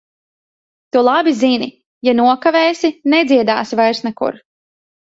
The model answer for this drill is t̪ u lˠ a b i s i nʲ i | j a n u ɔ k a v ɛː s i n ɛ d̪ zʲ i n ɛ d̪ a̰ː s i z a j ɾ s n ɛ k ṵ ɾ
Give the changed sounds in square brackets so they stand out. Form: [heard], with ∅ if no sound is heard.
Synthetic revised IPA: t̪ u lˠ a b i [z] i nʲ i | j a n u ɔ k a v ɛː s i n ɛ d̪ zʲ i [∅] ɛ d̪ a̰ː s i [v] a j ɾ s n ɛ k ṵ ɾ